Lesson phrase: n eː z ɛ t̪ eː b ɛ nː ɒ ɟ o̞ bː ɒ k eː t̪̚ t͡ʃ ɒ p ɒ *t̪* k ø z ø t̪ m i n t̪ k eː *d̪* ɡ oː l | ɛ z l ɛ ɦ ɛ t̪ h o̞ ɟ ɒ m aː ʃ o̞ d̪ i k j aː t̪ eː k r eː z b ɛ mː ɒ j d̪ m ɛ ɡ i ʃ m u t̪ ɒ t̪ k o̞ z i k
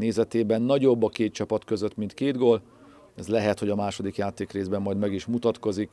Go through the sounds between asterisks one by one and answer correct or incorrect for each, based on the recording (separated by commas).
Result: correct, correct